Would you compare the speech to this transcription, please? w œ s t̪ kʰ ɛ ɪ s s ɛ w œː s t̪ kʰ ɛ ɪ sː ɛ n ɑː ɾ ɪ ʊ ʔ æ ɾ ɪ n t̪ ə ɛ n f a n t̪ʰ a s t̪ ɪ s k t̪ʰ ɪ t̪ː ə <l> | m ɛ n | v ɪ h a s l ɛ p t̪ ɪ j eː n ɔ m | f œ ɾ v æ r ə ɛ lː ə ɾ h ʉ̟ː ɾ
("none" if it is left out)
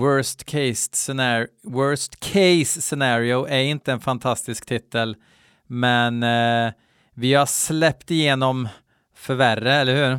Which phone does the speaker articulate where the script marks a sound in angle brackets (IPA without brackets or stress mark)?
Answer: l